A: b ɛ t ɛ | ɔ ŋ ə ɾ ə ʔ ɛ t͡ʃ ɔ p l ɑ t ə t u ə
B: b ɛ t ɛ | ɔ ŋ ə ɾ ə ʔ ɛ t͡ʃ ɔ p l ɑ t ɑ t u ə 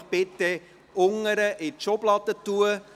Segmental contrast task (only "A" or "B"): A